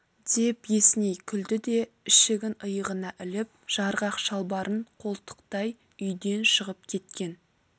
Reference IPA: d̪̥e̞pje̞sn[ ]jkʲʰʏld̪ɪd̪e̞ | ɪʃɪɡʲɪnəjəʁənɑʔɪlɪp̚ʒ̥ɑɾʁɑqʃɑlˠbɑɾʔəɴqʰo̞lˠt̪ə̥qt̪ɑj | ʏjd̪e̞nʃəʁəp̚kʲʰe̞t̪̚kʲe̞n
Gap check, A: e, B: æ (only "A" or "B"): A